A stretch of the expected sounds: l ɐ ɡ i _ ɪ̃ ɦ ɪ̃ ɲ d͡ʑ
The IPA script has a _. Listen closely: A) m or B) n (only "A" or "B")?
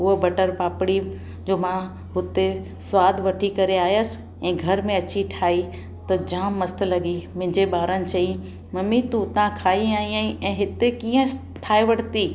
A